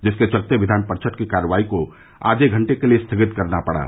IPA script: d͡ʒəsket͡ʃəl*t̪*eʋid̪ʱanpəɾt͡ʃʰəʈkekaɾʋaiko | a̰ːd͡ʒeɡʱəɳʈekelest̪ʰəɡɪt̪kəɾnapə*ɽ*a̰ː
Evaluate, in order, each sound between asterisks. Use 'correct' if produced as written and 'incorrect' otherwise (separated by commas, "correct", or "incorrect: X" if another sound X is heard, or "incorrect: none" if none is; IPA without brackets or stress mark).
correct, correct